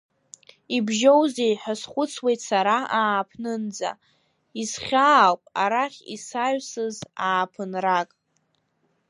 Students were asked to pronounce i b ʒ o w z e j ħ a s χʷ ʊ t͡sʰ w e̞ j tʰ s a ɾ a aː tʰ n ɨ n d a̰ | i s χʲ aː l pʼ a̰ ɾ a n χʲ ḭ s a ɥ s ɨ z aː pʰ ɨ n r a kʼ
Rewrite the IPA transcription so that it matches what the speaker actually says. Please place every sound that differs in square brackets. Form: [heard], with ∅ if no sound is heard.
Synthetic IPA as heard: i b ʒ o w z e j ħ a s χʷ ʊ t͡sʰ w e̞ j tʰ s a ɾ a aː [pʰ] n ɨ n [d͡z] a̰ | i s χʲ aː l pʼ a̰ ɾ a [∅] χʲ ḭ s a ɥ s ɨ z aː pʰ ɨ n r a kʼ